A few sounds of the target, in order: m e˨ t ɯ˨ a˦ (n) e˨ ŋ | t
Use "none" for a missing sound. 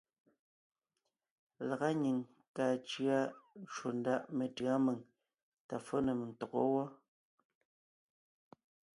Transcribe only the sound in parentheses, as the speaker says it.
m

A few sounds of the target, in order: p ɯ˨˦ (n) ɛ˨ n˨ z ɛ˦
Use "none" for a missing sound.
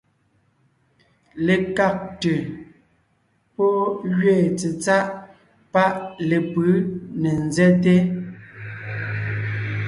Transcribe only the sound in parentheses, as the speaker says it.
n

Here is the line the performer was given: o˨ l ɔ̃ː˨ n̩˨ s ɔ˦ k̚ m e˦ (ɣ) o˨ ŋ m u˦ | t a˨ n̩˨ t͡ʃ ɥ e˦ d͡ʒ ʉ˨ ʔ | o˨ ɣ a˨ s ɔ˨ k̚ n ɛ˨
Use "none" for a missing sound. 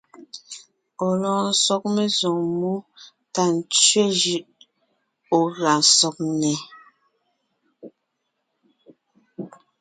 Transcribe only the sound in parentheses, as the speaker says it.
z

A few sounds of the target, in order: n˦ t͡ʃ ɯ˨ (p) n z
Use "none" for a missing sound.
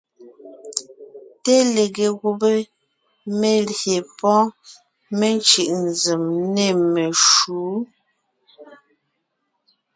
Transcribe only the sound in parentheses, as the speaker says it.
ʔ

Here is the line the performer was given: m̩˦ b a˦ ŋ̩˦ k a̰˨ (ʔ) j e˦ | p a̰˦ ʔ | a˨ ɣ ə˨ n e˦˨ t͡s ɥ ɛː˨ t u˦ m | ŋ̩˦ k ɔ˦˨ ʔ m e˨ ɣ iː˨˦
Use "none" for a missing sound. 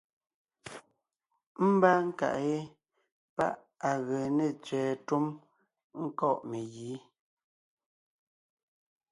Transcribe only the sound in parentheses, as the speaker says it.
ʔ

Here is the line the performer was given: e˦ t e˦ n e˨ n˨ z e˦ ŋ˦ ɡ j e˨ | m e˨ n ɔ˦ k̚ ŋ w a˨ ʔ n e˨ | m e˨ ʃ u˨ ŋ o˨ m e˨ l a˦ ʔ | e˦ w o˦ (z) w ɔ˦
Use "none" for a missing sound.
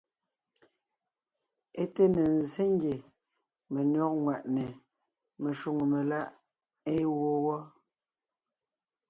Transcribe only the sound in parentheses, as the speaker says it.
none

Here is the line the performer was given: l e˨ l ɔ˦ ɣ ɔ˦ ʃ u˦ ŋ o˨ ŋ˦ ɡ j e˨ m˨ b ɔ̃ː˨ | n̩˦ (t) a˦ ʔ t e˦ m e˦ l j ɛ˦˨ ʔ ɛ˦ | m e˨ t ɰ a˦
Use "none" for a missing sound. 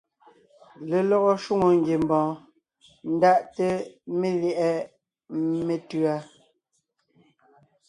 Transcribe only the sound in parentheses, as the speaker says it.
d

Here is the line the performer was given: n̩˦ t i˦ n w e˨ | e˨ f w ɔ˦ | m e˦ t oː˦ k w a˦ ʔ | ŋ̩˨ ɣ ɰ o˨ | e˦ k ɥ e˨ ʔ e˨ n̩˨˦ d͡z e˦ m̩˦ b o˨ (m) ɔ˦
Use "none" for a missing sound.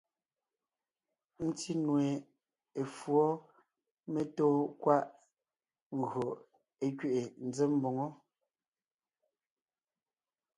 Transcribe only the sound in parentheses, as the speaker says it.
ŋ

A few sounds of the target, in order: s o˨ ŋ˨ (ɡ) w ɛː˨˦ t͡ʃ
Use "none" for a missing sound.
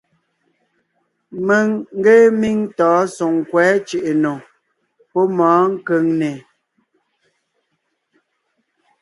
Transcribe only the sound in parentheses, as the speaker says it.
k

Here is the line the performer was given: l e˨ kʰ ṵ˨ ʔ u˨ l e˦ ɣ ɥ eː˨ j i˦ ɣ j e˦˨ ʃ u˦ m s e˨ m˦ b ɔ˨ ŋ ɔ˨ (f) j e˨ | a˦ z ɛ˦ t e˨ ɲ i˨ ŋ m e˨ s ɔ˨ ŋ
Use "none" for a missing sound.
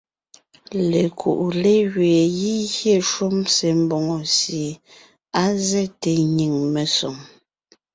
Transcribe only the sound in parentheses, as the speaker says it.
s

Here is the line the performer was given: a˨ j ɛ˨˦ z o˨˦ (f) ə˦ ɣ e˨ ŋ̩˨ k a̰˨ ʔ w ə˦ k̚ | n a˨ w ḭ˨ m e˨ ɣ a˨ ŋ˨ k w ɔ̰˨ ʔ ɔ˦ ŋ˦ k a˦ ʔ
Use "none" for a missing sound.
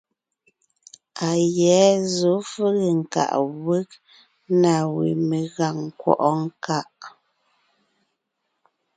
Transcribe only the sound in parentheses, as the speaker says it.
f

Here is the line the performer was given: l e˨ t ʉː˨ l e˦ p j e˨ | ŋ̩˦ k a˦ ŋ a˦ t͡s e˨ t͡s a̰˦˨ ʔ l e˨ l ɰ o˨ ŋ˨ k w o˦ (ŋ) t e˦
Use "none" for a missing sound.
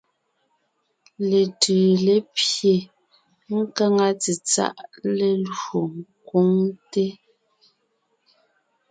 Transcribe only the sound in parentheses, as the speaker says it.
ŋ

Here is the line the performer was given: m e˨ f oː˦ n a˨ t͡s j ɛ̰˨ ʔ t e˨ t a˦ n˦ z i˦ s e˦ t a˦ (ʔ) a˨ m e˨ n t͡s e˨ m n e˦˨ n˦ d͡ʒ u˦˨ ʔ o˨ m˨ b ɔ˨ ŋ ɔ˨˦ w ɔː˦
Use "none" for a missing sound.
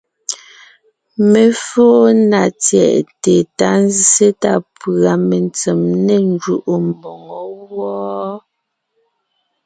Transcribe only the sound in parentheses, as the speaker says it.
p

